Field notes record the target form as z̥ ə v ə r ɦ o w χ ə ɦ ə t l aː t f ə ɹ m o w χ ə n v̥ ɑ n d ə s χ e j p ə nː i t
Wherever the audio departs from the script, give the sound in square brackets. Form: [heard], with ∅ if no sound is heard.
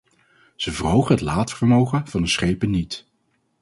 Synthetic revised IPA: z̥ ə v ə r ɦ o w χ ə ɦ ə t l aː t f ə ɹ m o w χ ə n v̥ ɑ n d ə s χ e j p ə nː i t